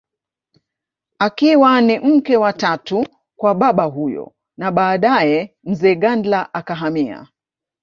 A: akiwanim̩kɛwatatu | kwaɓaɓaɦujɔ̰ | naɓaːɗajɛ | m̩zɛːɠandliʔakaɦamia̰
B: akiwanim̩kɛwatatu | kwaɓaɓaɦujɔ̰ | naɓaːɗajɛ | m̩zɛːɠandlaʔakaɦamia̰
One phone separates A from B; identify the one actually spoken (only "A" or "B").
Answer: B